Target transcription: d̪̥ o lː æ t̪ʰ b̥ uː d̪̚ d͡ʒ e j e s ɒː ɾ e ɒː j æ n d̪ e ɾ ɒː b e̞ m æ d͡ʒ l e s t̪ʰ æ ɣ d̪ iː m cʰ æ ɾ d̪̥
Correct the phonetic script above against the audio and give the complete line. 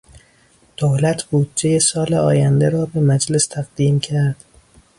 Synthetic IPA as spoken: d̪̥ o l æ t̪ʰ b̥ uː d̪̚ d͡ʒ e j e s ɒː l e ɒː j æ n d̪ e ɾ ɒː b e̞ m æ d͡ʒ l e s t̪ʰ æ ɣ d̪ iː m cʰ æ ɾ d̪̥